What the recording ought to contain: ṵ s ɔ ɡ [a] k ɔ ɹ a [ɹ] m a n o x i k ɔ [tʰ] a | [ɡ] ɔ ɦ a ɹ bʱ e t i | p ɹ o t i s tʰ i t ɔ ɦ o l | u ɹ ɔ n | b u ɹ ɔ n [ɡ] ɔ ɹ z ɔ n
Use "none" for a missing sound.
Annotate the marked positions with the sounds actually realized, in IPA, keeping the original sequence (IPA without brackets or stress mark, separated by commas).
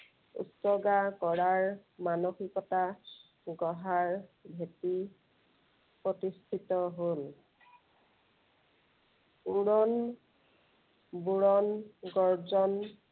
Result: a, ɹ, t, ɡ, ɡ